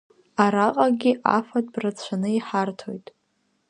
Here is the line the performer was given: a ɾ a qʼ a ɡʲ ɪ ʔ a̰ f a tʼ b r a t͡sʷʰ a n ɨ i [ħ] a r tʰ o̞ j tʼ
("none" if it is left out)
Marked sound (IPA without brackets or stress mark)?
ħ